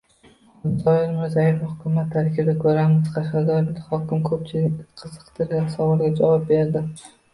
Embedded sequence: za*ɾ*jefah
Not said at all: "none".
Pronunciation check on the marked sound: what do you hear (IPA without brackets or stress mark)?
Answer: none